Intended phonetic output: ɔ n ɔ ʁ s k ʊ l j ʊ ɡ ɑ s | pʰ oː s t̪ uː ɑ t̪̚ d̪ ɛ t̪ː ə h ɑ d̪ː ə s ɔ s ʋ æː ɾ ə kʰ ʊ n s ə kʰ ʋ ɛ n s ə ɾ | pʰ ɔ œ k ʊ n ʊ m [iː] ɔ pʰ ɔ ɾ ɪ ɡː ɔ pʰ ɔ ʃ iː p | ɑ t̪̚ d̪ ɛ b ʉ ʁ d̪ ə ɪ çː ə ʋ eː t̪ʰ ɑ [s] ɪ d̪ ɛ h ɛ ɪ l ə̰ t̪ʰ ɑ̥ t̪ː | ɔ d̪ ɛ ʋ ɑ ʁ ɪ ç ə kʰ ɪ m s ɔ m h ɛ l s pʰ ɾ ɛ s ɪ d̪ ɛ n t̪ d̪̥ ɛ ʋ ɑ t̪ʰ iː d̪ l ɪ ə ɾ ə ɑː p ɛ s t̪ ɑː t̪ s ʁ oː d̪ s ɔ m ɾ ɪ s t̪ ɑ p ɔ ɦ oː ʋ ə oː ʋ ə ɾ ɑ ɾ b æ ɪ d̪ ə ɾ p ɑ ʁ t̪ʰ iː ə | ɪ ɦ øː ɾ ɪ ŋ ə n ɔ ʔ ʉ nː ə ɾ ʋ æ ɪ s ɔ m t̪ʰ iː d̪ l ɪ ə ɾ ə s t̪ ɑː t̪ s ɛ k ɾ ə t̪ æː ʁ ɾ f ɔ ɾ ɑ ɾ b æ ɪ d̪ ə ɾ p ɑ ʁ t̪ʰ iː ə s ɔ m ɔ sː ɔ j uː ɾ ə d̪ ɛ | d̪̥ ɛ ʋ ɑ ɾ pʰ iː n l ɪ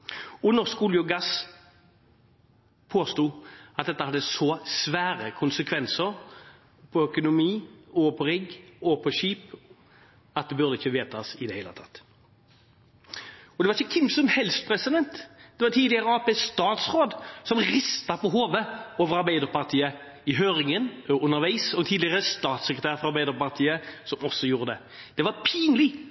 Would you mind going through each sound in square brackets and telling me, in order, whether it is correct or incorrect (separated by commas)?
correct, correct